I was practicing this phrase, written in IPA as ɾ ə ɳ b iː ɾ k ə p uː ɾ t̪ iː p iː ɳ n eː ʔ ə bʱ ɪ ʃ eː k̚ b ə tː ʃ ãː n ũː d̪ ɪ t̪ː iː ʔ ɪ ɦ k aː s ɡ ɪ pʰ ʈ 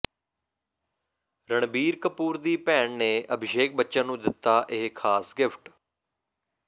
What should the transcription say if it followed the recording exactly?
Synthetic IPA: ɾ ə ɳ b iː ɾ k ə p uː ɾ d̪ iː p ɛː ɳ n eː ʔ ə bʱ ɪ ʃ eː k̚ b ə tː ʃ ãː n ũː d̪ ɪ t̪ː aː ʔ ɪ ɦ kʰ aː s ɡ ɪ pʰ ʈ

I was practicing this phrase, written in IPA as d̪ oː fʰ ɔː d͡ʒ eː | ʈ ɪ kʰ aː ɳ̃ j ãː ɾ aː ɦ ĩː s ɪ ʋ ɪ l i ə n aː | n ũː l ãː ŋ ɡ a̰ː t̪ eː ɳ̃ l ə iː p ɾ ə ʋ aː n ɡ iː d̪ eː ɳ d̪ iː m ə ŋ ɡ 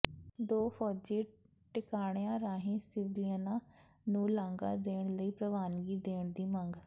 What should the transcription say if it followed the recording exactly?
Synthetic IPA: d̪ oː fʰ ɔː d͡ʒ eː | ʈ ɪ k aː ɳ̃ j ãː ɾ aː ɦ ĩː s ɪ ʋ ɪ l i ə n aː | n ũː l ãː ŋ ɡ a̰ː d̪ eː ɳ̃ l ə iː p ɾ ə ʋ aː n ɡ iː d̪ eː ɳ d̪ iː m ə ŋ ɡ

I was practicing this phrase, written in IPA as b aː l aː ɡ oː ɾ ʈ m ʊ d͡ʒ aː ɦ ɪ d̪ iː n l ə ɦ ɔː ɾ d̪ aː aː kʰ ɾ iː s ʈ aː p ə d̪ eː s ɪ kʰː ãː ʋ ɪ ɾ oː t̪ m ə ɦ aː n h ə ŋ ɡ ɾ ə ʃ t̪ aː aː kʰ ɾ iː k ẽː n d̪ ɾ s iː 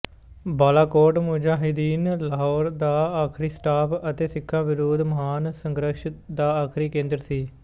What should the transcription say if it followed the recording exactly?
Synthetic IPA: b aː l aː k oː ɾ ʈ m ʊ d͡ʒ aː ɦ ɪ d̪ iː n l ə ɦ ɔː ɾ d̪ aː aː kʰ ɾ iː s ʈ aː p ə t̪ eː s ɪ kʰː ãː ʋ ɪ ɾ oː d̪ m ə ɦ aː n s ə ŋ ɡ ɾ ə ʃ d̪ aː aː kʰ ɾ iː k ẽː n d̪ ɾ s iː

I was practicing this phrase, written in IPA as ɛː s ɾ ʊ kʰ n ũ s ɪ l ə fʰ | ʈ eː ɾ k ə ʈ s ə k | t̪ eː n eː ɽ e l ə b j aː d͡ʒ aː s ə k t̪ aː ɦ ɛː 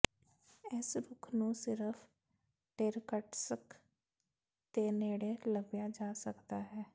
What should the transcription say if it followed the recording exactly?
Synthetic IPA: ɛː s ɾ ʊ kʰ n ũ s ɪ ɾ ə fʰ | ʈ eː ɾ k ə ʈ s ə k | t̪ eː n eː ɽ e l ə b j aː d͡ʒ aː s ə k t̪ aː ɦ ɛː

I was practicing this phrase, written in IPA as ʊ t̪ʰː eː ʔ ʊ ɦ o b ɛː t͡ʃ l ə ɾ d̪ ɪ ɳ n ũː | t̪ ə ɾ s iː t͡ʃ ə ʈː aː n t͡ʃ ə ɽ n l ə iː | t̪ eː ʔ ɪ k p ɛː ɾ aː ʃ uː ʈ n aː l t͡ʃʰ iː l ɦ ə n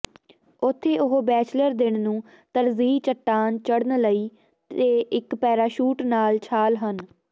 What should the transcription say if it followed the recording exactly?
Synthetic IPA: ʊ t̪ʰː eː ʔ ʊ ɦ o b ɛː t͡ʃ l ə ɾ d̪ ɪ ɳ n ũː | t̪ ə ɾ z iː t͡ʃ ə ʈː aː n t͡ʃ ə ɽ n l ə iː | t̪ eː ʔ ɪ k p ɛː ɾ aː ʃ uː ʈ n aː l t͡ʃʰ aː l ɦ ə n

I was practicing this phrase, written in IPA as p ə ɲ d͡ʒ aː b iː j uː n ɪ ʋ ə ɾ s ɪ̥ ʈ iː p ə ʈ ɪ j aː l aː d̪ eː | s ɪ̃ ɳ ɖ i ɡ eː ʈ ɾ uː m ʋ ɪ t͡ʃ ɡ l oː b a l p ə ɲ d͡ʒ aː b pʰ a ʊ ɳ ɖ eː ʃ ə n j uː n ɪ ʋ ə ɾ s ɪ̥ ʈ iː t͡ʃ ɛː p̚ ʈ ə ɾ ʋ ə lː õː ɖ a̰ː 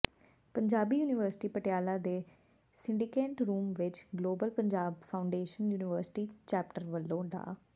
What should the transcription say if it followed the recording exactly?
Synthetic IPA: p ə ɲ d͡ʒ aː b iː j uː n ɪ ʋ ə ɾ s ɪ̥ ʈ iː p ə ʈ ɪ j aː l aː d̪ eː | s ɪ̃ ɳ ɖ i k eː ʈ ɾ uː m ʋ ɪ t͡ʃ ɡ l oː b ə l p ə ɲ d͡ʒ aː b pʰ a ʊ ɳ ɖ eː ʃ ə n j uː n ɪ ʋ ə ɾ s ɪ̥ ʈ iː t͡ʃ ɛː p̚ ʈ ə ɾ ʋ ə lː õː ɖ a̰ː

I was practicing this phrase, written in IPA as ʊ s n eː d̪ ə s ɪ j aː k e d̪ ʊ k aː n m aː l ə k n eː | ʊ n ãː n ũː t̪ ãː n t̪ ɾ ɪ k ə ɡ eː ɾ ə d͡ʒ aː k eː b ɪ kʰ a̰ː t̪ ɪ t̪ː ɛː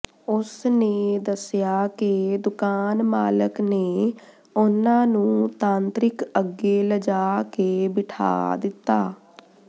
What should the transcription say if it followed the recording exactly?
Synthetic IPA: ʊ s n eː d̪ ə s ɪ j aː k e d̪ ʊ k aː n m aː l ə k n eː | ʊ n ãː n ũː t̪ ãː n t̪ ɾ ɪ k ə ɡ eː l ə d͡ʒ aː k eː b ɪ ʈʰ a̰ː d̪ ɪ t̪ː aː

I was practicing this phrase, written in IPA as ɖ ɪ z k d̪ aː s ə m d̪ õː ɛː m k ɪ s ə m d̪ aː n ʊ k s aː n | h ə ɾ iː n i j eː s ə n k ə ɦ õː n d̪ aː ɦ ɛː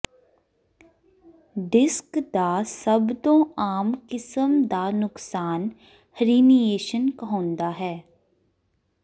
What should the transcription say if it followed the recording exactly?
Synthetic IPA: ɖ ɪ s k d̪ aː s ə b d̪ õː aː m k ɪ s ə m d̪ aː n ʊ k s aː n | h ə ɾ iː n i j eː ʃ ə n k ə ɦ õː n d̪ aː ɦ ɛː

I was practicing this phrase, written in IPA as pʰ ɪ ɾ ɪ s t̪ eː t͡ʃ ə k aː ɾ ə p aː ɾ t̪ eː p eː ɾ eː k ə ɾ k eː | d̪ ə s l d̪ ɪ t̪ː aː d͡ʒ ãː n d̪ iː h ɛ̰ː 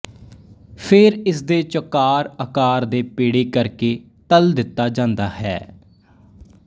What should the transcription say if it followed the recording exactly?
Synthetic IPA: pʰ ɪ ɾ ɪ s d̪ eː t͡ʃ ə k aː ɾ ə k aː ɾ d̪ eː p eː ɽ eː k ə ɾ k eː | t̪ ə l d̪ ɪ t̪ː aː d͡ʒ ãː n d̪ aː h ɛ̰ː

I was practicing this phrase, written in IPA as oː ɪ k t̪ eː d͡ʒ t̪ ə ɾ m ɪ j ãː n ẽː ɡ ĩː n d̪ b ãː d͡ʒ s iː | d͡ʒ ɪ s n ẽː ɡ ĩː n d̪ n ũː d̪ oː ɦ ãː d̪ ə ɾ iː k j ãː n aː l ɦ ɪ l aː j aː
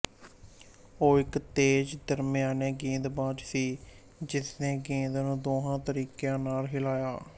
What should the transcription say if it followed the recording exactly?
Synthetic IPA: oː ɪ k t̪ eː d͡ʒ d̪ ə ɾ m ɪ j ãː n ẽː ɡ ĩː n d̪ b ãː d͡ʒ s iː | d͡ʒ ɪ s n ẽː ɡ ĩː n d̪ n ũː d̪ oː ɦ ãː t̪ ə ɾ iː k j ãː n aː l ɦ ɪ l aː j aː

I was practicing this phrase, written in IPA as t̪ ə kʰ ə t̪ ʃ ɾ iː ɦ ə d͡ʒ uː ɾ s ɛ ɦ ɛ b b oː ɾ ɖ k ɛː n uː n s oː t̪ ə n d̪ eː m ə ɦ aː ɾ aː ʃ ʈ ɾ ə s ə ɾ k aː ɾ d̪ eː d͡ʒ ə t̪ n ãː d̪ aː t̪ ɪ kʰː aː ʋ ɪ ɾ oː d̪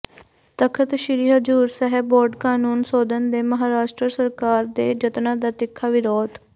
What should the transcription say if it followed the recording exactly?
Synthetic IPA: t̪ ə kʰ ə t̪ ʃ ɾ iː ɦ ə d͡ʒ uː ɾ s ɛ ɦ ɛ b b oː ɾ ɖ k aː n uː n s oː d̪ ə n d̪ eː m ə ɦ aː ɾ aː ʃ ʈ ɾ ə s ə ɾ k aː ɾ d̪ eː d͡ʒ ə t̪ n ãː d̪ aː t̪ ɪ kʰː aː ʋ ɪ ɾ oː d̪

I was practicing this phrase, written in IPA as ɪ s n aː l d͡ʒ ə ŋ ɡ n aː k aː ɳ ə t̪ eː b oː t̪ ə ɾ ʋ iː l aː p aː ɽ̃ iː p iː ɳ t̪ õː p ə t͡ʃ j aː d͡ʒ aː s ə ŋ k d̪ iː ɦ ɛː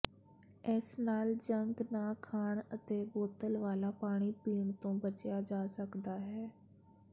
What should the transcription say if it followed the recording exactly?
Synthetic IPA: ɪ s n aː l d͡ʒ ə ŋ ɡ n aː kʰ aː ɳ ə t̪ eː b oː t̪ ə l ʋ aː l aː p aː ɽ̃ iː p iː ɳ t̪ õː b ə t͡ʃ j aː d͡ʒ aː s ə k d̪ aː ɦ ɛː

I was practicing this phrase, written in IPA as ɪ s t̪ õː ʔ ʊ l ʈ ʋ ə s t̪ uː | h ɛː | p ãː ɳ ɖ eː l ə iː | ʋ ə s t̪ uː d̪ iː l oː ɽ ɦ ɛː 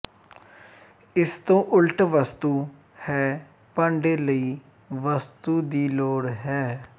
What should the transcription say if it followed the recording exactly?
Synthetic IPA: ɪ s t̪ õː ʔ ʊ l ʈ ʋ ə s t̪ uː | h ɛː | p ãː ɳ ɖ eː l ə iː | ʋ ə s t̪ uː d̪ iː l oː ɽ ɦ ɛː

